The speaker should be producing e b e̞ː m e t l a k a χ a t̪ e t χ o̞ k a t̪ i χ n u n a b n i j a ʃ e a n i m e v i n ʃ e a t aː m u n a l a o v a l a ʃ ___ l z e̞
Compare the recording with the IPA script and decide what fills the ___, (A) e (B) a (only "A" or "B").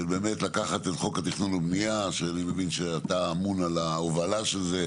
A